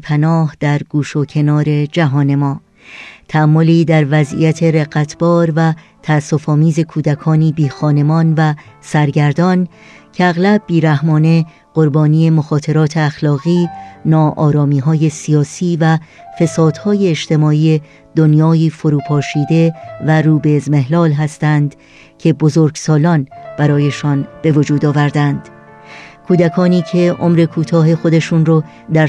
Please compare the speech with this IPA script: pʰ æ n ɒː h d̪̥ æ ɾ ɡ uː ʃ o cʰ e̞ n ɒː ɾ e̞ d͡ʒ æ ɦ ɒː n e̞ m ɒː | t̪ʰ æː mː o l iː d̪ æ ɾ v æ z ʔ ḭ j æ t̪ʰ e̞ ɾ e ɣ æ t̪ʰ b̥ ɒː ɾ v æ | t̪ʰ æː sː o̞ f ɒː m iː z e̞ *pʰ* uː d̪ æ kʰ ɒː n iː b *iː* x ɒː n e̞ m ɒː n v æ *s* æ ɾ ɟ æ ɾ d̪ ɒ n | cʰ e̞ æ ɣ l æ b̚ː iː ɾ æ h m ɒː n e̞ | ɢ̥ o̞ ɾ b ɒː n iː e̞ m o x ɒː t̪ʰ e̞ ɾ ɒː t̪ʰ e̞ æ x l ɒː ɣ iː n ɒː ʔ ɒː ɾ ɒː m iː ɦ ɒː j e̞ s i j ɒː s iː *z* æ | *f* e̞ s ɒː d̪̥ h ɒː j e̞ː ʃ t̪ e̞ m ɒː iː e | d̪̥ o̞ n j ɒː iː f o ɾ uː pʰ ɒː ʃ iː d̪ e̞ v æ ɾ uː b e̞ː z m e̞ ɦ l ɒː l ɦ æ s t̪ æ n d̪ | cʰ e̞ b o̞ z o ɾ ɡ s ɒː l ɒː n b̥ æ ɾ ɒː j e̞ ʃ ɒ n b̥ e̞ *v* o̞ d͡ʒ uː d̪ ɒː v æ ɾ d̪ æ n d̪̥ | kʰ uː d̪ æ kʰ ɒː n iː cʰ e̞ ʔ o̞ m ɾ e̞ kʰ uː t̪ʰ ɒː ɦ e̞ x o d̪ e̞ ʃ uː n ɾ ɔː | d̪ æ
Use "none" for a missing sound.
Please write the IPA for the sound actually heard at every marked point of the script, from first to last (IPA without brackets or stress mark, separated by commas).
kʰ, iː, s, v, f, v